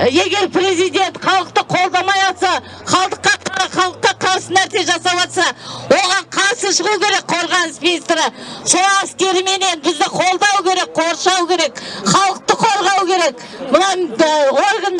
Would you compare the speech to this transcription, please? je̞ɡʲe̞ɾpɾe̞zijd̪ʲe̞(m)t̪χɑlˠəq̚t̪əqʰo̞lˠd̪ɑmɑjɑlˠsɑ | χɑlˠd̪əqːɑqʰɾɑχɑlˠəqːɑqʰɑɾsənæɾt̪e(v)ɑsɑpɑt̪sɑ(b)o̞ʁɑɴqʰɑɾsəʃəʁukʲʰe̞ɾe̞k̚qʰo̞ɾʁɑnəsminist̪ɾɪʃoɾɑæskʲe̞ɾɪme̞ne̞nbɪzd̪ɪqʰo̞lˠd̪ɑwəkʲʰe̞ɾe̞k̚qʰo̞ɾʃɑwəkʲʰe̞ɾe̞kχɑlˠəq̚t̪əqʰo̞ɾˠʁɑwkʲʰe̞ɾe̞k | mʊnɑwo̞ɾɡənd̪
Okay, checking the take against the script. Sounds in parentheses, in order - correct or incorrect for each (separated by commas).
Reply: incorrect, incorrect, incorrect